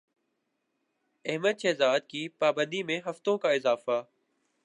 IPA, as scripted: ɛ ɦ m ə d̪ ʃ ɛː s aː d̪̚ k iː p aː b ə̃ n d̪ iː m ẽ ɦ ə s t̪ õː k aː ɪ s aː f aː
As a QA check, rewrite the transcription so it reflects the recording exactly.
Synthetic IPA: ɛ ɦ m ə d̪ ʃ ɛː z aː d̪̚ k iː p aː b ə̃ n d̪ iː m ẽ ɦ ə f t̪ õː k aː ɪ z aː f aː